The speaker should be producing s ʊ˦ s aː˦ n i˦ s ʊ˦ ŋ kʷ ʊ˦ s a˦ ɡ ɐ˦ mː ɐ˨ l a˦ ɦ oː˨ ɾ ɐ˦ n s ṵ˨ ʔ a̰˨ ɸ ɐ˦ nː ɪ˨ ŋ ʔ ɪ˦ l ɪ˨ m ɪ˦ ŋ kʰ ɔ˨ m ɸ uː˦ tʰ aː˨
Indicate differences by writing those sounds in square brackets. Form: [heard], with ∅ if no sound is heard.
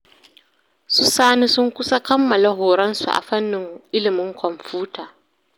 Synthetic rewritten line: s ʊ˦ s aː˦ n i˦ s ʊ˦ ŋ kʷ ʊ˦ s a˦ [k] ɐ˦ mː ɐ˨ l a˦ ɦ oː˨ ɾ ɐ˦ n s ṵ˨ ʔ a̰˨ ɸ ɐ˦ nː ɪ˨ ŋ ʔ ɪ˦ l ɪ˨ m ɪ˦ ŋ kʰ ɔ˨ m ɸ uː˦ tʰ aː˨